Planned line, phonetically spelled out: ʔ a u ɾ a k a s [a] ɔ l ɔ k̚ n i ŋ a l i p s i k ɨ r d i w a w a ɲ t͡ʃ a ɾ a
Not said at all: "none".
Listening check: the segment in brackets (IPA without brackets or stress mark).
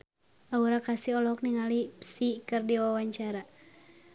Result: i